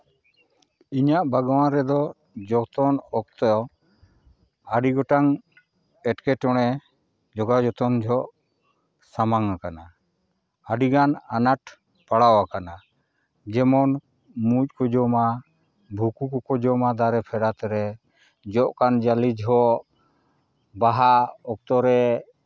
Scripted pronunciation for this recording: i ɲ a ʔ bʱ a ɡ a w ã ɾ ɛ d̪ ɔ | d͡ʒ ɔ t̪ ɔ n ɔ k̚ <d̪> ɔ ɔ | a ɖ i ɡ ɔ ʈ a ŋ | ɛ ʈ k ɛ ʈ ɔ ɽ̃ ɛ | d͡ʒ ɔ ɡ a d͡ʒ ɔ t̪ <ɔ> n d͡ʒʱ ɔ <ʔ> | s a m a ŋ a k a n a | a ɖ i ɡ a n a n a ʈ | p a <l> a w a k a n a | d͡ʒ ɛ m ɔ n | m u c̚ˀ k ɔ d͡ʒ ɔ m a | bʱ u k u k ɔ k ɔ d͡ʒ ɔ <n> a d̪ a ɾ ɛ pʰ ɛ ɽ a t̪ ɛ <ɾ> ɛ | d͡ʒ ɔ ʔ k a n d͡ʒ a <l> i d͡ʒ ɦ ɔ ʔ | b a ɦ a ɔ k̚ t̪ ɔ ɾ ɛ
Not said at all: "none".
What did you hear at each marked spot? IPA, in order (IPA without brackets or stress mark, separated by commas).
t̪, ɔ, ʔ, ɽ, m, ɾ, l